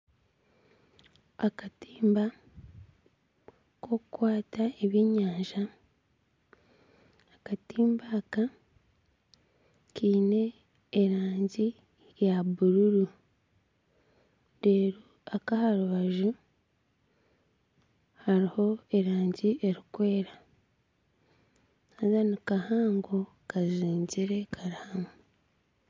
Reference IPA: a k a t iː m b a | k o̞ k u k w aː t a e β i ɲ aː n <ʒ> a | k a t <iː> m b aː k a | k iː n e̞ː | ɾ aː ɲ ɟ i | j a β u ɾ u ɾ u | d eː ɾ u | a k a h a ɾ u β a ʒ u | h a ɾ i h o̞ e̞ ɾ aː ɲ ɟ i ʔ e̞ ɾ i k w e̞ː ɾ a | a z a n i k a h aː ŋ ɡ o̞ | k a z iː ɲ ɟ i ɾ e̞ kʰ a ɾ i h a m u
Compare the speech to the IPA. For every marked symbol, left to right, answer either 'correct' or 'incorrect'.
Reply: correct, correct

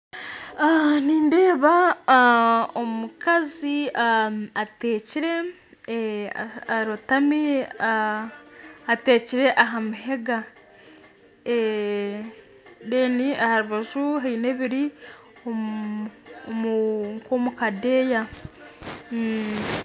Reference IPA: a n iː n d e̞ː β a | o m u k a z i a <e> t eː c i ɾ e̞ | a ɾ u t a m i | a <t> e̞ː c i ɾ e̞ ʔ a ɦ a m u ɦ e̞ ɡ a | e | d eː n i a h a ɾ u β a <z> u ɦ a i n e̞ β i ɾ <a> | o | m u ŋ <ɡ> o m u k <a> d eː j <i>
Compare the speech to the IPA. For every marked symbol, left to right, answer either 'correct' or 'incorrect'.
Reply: incorrect, correct, incorrect, incorrect, incorrect, correct, incorrect

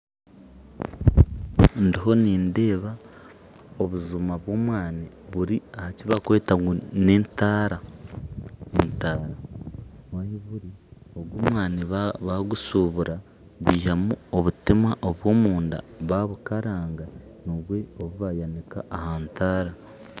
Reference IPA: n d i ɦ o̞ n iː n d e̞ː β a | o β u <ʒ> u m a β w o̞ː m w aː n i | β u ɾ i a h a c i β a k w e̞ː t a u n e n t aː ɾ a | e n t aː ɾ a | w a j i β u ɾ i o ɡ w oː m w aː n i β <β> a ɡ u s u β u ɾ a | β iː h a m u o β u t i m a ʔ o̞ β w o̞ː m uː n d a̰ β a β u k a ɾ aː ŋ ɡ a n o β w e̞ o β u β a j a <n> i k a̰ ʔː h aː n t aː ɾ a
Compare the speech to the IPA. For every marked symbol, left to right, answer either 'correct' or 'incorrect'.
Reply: incorrect, correct, correct

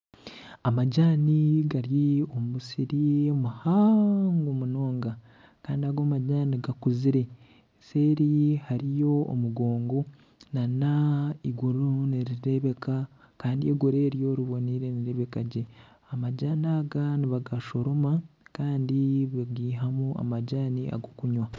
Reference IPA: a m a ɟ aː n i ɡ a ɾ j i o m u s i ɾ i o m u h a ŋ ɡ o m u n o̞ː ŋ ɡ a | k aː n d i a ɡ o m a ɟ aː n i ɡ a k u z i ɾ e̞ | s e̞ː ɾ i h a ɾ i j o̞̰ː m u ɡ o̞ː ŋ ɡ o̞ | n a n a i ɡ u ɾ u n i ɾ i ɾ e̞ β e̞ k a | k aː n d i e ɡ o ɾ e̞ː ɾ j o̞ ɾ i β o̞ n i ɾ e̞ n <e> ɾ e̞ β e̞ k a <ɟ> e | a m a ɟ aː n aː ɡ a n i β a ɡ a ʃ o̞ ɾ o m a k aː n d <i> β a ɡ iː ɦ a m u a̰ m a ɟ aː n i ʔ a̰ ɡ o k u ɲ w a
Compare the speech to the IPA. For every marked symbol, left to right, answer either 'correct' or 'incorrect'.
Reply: incorrect, correct, correct

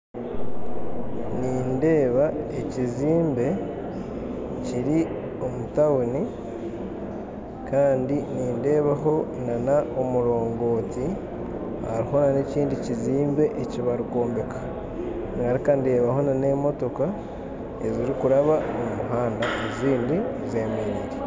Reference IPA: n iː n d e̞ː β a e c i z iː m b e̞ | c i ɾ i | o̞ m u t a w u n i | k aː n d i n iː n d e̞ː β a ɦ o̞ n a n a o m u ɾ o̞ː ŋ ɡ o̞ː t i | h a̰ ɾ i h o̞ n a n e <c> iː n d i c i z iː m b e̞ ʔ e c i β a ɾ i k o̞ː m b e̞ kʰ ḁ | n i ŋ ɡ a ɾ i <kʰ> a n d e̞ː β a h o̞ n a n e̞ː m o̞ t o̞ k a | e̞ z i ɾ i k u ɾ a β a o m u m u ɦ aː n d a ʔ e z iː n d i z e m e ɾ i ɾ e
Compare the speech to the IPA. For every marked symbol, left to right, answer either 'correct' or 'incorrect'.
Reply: correct, incorrect

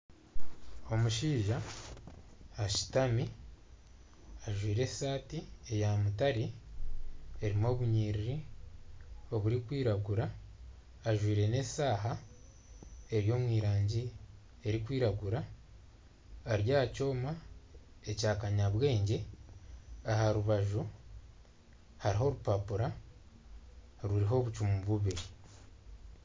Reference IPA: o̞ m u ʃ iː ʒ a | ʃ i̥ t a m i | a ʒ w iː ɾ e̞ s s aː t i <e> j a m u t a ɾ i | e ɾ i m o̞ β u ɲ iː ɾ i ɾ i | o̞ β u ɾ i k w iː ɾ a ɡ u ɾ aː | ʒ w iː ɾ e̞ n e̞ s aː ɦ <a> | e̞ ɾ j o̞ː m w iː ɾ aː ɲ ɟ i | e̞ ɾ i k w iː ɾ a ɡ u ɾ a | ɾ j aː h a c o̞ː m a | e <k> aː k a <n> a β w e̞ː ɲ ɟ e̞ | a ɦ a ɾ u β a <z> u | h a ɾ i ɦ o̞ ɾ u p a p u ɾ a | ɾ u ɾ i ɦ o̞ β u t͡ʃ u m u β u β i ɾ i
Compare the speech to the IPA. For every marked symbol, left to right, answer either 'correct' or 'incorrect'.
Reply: correct, correct, incorrect, incorrect, incorrect

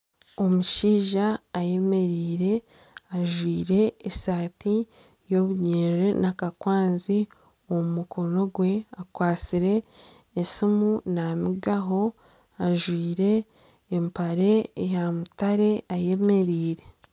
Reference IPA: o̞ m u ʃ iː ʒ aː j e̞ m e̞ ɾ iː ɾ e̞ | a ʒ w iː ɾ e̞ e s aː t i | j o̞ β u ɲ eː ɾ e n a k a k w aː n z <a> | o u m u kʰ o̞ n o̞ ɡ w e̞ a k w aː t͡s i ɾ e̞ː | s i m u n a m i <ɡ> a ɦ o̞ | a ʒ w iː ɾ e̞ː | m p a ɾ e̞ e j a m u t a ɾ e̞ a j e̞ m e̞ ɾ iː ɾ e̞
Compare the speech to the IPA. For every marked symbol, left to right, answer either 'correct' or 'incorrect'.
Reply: incorrect, correct

